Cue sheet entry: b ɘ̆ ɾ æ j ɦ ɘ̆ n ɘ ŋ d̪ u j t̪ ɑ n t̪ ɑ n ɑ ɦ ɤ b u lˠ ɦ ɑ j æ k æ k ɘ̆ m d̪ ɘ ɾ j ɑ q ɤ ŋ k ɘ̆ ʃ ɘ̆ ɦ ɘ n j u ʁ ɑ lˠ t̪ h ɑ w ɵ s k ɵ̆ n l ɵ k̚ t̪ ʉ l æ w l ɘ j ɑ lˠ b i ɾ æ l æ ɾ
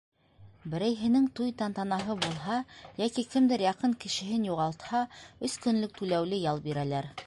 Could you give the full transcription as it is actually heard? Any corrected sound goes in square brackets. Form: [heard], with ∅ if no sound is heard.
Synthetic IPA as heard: b ɘ̆ ɾ æ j ɦ ɘ̆ n ɘ ŋ [t̪] u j t̪ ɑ n t̪ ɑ n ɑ ɦ ɤ b u lˠ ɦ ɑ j æ k [i] k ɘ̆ m d̪ ɘ ɾ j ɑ q ɤ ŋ k ɘ̆ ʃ ɘ̆ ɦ ɘ n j u ʁ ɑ lˠ t̪ h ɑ [∅] ɵ s k ɵ̆ n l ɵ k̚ t̪ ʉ l æ w l ɘ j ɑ lˠ b i ɾ æ l æ ɾ